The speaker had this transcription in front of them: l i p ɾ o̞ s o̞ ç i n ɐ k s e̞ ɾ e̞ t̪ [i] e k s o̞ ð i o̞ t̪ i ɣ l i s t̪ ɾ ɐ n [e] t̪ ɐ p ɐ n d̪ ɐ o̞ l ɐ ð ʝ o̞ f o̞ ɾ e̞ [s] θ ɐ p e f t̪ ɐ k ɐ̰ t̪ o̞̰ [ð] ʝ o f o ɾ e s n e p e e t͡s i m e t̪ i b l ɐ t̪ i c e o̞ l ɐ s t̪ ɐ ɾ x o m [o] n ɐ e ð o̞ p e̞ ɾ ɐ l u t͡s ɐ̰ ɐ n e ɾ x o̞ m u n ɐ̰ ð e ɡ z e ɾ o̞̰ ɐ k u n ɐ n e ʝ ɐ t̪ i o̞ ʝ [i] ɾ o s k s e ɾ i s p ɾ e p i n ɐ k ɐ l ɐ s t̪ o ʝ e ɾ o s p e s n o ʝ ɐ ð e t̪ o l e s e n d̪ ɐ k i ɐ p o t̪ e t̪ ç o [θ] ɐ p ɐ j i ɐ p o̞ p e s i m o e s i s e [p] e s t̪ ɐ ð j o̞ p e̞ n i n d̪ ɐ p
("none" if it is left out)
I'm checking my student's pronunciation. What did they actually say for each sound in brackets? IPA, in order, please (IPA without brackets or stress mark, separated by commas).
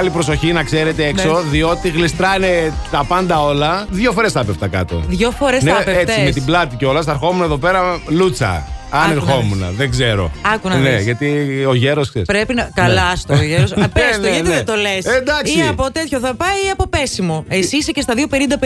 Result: e, e, s, ð, u, e, θ, c